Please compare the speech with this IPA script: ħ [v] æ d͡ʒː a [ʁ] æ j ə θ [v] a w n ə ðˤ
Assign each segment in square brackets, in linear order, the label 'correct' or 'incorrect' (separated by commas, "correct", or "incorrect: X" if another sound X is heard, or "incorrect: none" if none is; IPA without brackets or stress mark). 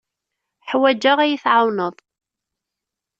incorrect: w, correct, incorrect: ʕ